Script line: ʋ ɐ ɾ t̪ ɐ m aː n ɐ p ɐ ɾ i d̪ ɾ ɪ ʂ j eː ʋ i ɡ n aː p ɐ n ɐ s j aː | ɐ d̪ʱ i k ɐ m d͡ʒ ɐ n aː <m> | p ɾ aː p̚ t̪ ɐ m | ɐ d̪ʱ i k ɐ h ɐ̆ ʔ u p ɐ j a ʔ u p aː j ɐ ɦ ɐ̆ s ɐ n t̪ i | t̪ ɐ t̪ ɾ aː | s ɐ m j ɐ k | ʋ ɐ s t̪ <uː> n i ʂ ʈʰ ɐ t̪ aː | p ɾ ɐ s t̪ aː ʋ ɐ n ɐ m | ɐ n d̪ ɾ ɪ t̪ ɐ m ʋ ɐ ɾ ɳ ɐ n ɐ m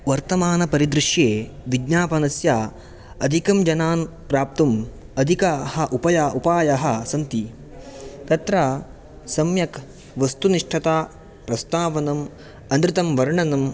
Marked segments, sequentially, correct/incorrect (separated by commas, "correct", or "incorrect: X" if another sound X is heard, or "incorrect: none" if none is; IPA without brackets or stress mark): incorrect: n, incorrect: u